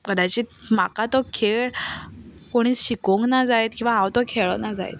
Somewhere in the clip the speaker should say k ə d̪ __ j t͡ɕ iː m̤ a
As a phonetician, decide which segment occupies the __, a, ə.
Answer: a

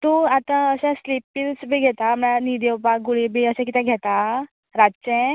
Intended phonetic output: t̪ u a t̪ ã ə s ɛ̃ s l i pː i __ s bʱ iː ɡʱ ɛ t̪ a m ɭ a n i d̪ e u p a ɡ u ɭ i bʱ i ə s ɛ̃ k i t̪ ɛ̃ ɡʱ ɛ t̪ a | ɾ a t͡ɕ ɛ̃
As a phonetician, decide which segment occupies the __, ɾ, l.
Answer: l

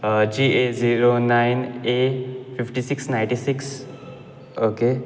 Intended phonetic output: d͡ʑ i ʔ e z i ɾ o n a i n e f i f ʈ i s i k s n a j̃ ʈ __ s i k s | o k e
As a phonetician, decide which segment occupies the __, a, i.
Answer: i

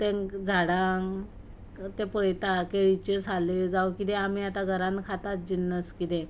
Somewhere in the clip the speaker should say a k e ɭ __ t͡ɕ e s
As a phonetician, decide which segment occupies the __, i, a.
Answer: i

